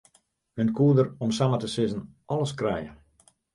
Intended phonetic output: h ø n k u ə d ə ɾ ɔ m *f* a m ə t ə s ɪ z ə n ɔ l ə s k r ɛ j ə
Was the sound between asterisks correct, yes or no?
no